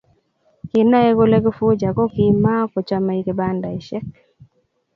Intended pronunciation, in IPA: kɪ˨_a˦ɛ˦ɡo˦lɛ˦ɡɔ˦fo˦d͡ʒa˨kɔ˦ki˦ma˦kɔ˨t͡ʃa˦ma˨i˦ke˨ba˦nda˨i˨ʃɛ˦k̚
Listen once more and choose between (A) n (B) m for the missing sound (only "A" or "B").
A